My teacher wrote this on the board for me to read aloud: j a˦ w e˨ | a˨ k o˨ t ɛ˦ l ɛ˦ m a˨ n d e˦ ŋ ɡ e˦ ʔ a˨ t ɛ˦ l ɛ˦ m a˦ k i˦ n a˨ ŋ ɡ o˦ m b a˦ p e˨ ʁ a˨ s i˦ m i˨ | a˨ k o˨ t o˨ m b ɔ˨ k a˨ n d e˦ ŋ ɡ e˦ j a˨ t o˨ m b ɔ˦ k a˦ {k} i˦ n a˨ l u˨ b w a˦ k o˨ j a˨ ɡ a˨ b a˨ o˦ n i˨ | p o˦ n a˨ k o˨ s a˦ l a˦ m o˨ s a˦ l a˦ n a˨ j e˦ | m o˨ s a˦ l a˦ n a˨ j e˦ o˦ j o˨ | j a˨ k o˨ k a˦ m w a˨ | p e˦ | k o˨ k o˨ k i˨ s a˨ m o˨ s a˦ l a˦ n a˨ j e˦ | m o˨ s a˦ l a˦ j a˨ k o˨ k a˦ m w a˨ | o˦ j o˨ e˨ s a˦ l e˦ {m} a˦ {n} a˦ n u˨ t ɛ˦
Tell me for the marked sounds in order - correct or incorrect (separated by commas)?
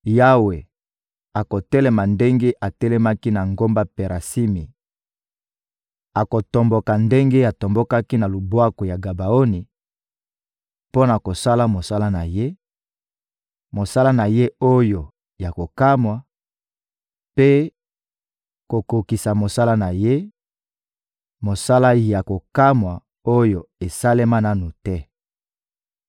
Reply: correct, correct, correct